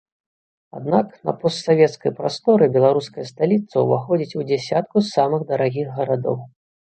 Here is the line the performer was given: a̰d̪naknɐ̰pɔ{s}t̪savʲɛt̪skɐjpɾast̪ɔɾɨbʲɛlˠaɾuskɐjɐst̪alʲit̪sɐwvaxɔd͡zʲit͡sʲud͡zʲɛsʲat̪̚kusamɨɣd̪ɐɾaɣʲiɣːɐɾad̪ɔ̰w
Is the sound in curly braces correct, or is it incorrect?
correct